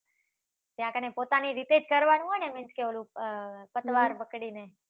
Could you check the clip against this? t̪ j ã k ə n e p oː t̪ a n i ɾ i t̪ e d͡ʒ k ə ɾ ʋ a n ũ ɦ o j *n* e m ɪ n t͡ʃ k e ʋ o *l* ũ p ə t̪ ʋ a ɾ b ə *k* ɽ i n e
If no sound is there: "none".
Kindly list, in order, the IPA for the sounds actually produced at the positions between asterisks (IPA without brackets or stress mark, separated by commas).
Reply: n, l, k